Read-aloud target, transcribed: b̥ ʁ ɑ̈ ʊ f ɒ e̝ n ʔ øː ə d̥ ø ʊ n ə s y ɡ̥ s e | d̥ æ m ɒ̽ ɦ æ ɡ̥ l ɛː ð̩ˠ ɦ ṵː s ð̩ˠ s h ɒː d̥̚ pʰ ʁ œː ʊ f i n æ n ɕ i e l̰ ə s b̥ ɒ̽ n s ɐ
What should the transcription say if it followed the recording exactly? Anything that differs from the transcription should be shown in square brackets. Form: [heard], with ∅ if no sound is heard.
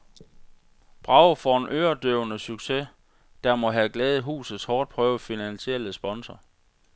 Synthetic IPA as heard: b̥ ʁ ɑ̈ ʊ f ɒ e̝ n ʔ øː [ɐ] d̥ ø ʊ n ə s y ɡ̥ s e | d̥ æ m ɒ̽ ɦ æ ɡ̥ l ɛː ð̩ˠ ɦ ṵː s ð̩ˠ s h ɒː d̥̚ pʰ ʁ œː ʊ f i n æ n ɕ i e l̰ ə s b̥ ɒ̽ n s ɐ